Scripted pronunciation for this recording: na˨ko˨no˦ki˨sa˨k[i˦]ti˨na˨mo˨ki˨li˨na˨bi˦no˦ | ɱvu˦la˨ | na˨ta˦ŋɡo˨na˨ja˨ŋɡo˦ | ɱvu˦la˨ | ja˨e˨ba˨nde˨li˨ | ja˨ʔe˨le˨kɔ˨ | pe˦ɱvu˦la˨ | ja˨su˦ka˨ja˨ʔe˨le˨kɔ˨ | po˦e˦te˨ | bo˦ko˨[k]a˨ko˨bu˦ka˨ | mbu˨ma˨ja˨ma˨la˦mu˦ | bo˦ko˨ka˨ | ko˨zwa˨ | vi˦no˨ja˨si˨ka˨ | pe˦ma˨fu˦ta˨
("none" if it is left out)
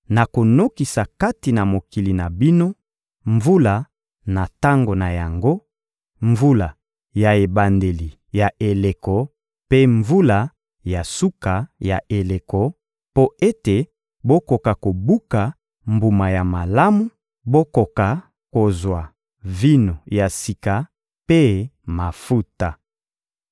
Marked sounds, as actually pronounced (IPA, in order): a˦, k

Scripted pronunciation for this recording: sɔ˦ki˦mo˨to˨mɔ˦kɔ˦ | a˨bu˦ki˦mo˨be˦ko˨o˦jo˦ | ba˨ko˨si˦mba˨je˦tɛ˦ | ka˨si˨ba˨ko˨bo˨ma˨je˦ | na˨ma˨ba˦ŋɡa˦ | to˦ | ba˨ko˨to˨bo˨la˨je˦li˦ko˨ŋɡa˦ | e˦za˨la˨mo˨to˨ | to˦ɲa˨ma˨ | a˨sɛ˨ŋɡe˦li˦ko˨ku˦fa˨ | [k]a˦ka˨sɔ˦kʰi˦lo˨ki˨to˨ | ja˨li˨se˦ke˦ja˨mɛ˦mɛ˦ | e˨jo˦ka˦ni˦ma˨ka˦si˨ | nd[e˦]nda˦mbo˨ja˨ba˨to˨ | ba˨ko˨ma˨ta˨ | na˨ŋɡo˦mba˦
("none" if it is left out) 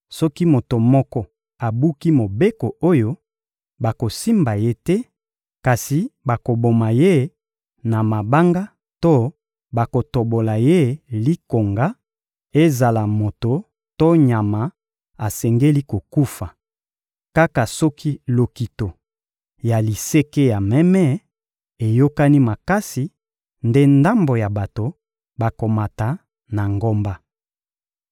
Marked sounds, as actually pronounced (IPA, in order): k, e˦

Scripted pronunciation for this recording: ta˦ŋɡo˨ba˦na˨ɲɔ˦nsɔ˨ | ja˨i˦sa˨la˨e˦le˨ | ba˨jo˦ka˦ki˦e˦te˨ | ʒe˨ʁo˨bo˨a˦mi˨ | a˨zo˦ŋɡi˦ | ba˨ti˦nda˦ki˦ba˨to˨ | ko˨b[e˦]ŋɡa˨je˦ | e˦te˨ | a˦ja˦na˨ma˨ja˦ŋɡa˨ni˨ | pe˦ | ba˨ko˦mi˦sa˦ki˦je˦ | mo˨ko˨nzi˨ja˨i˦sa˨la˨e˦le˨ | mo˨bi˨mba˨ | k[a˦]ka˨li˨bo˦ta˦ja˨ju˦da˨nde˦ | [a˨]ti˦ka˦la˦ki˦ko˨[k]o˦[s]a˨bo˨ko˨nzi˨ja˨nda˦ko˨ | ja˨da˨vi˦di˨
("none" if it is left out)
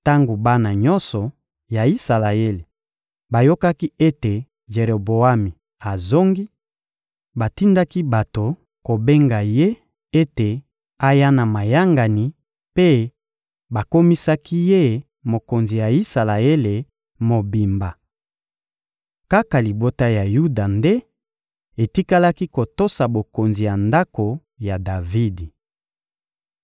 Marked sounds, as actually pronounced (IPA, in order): e˦, a˦, e˨, t, s

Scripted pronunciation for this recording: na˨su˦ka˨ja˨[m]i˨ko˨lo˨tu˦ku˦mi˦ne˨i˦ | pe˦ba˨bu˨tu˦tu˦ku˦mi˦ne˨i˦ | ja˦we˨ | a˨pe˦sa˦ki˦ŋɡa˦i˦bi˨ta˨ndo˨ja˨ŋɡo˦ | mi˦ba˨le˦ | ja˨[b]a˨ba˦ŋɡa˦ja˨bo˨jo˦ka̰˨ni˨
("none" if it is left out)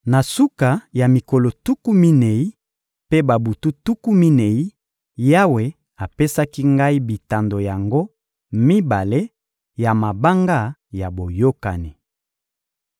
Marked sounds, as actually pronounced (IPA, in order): m, m

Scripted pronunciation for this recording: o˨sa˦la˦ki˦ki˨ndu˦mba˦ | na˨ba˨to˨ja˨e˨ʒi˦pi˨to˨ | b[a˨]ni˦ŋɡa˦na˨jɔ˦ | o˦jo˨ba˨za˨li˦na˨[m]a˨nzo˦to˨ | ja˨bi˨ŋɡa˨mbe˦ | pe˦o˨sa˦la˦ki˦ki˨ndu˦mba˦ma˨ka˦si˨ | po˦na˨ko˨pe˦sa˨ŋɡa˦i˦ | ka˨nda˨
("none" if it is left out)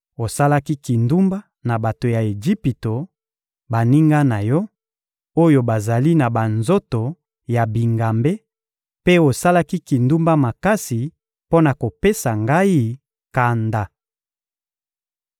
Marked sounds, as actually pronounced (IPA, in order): a˨, b

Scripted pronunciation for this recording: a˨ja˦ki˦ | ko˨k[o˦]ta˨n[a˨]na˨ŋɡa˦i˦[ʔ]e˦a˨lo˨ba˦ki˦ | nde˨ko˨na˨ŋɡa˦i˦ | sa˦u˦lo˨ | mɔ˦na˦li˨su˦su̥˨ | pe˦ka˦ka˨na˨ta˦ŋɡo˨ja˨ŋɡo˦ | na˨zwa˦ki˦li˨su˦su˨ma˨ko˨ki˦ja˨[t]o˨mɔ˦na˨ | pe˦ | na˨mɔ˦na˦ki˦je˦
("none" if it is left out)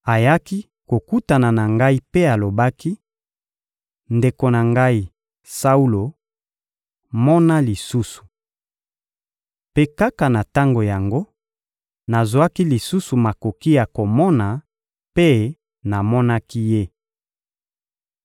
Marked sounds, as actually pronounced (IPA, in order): u˦, a˨, p, k

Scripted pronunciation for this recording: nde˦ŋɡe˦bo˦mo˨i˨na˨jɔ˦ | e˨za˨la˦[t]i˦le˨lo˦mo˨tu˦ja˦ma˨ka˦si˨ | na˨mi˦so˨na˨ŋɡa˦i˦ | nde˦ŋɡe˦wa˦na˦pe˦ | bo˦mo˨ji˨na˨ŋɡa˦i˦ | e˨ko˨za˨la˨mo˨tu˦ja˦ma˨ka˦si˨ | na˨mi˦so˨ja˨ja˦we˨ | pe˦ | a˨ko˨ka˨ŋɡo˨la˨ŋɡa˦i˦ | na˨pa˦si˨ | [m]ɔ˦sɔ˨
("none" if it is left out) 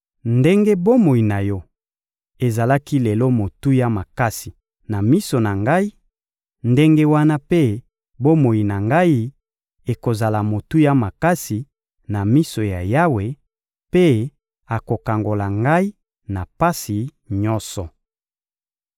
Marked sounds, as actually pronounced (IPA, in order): k, ɲ

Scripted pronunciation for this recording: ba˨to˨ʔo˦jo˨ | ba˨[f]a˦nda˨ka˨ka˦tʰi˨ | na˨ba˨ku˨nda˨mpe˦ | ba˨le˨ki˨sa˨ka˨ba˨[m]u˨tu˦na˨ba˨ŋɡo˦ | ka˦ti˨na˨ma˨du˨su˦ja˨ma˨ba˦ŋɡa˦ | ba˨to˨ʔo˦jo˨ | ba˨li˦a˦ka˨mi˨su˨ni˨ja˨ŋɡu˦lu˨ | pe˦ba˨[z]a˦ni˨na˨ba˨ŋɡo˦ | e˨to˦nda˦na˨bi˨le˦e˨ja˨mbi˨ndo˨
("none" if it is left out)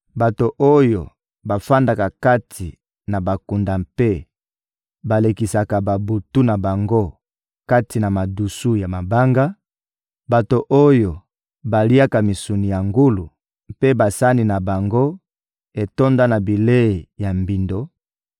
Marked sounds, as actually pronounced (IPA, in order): f, b, s

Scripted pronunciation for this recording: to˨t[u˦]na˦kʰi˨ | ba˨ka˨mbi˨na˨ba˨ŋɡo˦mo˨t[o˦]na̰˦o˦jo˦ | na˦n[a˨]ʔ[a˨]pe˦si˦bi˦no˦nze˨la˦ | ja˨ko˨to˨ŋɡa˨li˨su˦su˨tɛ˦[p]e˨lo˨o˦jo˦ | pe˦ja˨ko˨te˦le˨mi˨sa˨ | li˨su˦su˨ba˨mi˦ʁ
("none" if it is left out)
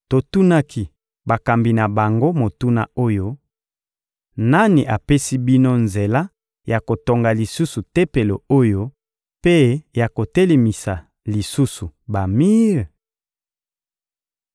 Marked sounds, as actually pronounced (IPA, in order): u˦, u˦, i˨, a˨, p

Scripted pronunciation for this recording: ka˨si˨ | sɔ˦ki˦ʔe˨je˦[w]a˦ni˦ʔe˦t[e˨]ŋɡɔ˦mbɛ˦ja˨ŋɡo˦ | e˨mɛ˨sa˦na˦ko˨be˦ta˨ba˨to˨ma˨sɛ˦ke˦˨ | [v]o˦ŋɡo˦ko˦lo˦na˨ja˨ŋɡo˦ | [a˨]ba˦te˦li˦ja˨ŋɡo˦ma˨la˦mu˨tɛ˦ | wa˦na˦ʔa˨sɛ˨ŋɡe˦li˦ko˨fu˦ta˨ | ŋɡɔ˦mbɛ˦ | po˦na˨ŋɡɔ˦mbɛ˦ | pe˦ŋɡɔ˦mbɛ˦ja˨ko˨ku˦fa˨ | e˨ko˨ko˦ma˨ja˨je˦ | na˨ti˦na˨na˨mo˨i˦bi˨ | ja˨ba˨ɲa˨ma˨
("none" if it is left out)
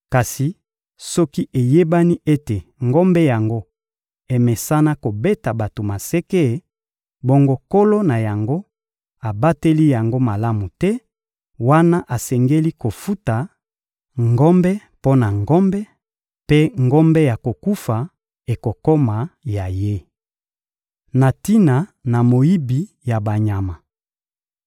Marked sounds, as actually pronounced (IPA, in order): b, e˨, b, a˨

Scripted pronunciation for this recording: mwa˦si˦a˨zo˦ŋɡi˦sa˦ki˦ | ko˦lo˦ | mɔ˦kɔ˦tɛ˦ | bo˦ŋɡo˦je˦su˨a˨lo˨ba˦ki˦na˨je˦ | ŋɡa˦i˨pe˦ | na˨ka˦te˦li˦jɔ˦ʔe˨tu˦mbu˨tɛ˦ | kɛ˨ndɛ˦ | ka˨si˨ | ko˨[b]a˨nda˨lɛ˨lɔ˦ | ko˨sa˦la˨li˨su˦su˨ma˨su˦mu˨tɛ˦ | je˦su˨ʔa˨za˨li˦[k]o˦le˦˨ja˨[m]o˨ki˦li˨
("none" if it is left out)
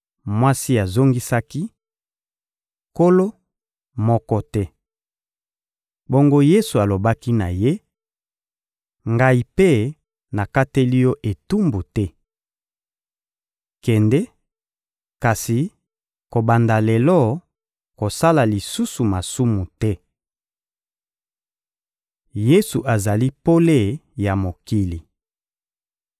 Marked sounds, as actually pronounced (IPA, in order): b, p, m

